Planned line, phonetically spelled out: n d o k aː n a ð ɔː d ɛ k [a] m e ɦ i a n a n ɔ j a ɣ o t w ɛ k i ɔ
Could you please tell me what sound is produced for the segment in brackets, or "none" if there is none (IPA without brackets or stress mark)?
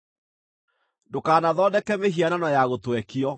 ɛ